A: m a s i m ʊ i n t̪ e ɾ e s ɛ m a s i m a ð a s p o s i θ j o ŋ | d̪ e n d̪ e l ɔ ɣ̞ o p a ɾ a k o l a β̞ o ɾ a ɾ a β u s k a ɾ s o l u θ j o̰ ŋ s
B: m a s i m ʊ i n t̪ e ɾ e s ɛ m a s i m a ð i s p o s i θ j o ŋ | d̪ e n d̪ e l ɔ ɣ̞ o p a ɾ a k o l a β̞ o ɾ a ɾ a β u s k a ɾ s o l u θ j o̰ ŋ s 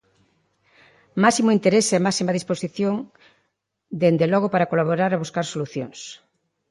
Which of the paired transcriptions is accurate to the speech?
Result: B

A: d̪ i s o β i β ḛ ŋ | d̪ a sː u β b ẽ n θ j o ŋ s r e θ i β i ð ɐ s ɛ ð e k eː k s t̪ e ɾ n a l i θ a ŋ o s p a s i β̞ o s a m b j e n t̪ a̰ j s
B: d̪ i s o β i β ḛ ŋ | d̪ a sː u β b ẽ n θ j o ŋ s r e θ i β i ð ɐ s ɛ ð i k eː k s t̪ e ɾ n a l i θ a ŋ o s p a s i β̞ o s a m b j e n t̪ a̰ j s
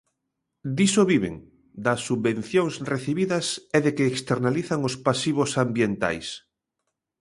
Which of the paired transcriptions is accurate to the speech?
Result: A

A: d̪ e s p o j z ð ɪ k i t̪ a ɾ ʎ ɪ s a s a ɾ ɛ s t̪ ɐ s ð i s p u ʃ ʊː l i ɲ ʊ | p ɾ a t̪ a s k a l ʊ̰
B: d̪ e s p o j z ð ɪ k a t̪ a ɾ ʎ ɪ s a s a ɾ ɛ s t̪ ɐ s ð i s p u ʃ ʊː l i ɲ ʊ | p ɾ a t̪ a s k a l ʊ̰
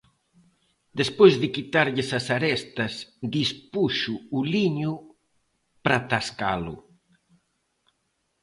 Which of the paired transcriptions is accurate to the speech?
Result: A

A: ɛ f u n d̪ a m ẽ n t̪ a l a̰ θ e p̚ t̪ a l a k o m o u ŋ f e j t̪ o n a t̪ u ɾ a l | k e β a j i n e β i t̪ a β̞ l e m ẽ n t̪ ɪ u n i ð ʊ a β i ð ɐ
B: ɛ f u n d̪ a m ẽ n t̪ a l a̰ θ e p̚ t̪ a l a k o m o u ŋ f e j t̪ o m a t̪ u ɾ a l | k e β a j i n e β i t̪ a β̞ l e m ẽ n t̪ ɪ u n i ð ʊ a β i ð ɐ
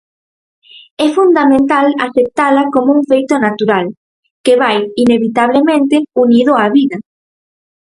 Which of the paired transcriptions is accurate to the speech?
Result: A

